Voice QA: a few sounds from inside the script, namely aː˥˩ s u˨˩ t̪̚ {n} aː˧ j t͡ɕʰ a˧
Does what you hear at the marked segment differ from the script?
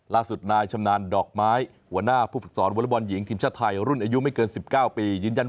no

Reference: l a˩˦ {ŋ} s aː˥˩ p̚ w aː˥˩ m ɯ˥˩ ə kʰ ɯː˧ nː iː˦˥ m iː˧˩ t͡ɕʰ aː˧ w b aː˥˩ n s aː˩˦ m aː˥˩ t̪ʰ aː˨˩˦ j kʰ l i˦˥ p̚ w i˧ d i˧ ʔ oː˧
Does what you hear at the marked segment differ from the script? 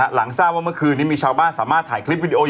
no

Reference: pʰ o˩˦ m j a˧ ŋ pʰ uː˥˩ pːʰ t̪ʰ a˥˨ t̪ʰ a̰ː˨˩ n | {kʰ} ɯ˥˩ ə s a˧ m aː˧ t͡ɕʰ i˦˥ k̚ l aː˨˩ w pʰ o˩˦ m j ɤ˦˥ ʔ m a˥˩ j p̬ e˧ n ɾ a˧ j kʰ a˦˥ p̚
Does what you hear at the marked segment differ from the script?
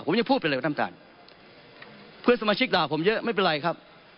yes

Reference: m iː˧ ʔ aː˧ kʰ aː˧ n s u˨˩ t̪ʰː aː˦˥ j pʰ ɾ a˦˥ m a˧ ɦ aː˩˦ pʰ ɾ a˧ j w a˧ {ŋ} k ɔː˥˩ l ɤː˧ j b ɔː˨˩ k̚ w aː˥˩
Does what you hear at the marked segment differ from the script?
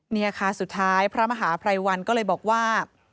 yes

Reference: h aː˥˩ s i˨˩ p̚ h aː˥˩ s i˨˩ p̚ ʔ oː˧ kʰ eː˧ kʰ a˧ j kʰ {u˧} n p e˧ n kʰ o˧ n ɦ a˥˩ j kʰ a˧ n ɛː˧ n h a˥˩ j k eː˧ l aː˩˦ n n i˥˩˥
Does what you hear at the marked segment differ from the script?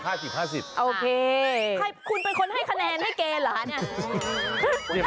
no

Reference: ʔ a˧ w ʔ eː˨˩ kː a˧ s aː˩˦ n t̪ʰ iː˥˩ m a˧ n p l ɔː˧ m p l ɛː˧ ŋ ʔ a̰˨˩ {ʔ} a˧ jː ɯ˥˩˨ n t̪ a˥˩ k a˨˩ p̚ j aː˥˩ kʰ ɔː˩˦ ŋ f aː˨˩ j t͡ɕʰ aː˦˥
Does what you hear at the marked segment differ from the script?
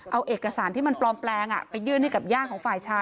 yes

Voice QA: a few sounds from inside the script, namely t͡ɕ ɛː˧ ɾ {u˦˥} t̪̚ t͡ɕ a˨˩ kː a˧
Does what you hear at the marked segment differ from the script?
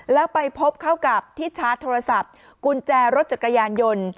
yes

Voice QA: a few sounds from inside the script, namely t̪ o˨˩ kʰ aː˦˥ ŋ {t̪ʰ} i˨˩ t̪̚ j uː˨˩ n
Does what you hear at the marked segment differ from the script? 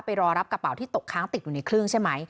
yes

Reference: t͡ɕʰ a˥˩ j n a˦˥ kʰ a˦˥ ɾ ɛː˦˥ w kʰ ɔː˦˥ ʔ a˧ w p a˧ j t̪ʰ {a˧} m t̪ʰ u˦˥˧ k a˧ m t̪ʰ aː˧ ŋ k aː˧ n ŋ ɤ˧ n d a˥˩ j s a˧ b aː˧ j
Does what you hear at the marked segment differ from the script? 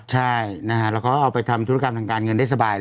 no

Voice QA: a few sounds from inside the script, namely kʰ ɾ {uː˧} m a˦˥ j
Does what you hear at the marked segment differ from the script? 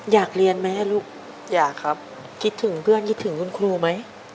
no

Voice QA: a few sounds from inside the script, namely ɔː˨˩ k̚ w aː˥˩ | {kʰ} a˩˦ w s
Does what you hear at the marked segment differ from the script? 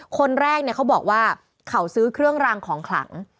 no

